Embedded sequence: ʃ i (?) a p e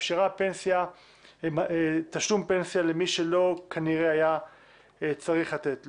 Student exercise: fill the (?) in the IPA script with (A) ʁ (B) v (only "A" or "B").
A